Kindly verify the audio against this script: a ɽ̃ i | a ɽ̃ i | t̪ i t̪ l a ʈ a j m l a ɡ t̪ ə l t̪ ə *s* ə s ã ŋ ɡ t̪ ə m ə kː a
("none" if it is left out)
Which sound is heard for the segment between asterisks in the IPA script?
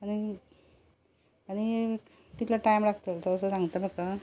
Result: s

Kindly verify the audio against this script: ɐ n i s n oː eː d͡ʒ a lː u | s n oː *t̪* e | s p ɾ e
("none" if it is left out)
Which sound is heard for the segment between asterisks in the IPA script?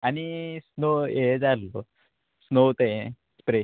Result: t̪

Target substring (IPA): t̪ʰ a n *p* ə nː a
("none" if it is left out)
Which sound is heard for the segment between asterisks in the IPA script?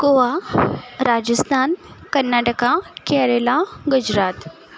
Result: k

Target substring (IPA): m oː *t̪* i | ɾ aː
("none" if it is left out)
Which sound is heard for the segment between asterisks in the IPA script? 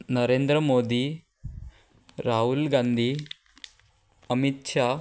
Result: d̪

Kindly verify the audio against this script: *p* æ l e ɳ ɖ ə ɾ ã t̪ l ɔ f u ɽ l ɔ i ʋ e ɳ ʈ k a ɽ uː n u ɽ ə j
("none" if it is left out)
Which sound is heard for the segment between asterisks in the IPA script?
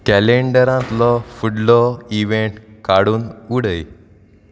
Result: k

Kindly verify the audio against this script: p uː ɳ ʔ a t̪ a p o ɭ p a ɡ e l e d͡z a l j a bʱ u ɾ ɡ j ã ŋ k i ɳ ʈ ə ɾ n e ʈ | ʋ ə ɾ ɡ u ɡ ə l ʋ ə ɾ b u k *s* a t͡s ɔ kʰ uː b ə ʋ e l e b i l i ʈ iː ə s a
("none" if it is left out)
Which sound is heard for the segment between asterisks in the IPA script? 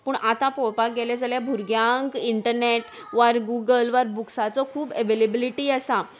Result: s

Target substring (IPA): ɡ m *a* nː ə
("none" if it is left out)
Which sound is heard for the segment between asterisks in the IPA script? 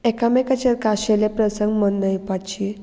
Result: ə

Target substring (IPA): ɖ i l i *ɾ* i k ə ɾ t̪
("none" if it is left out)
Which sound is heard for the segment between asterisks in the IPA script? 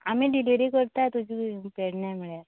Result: ɾ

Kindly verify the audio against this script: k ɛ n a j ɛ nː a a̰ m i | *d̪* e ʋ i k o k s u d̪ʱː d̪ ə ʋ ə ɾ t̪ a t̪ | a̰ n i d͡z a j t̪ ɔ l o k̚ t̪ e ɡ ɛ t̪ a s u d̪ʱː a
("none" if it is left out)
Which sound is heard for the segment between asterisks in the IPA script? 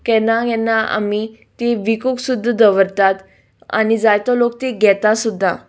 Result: t̪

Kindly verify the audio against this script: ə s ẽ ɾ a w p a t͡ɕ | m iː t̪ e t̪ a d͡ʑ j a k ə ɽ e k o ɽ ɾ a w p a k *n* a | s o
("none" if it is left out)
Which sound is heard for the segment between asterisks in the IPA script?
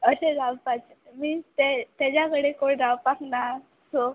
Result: n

